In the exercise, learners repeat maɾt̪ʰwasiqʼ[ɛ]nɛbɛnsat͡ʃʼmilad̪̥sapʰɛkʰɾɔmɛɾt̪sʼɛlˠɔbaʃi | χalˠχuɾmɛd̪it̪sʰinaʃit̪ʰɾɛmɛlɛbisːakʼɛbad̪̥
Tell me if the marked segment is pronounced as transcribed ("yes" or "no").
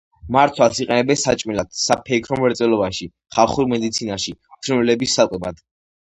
yes